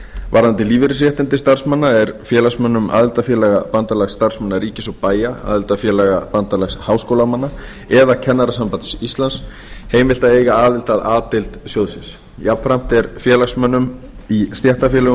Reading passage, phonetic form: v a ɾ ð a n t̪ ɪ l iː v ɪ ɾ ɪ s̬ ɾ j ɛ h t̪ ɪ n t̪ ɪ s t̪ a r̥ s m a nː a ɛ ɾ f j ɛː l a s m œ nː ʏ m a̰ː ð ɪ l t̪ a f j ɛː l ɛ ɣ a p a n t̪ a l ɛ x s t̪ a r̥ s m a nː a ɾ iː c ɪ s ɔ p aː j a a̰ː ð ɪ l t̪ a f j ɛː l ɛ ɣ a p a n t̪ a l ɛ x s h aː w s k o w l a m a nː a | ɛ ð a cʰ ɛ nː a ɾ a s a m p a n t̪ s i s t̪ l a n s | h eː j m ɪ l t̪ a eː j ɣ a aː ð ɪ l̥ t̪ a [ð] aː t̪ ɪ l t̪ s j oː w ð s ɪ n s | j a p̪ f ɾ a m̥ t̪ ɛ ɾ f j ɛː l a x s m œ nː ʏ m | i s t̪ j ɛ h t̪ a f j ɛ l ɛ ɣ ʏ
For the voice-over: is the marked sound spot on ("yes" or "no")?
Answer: yes